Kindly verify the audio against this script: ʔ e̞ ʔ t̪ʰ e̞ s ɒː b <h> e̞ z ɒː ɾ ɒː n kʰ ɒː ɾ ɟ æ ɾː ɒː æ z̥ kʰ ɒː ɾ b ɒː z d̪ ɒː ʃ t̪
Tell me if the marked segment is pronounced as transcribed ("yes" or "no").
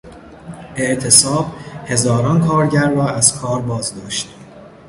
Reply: yes